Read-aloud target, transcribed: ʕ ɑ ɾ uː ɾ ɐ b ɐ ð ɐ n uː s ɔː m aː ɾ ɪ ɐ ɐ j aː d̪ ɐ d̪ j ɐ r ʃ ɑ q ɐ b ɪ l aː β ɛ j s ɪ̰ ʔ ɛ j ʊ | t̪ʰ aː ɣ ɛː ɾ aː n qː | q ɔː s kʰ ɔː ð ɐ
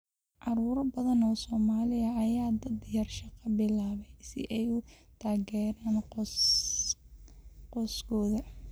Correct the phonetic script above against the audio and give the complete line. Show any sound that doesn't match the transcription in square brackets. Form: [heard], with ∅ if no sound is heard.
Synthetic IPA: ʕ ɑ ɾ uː ɾ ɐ b ɐ ð ɐ n [ɔː] s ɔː m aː [l] ɪ ɐ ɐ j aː d̪ ɐ d̪ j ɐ r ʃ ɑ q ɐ b ɪ l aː β ɛ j s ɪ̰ ʔ ɛ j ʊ | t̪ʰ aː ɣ ɛː ɾ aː n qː | q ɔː s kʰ ɔː ð ɐ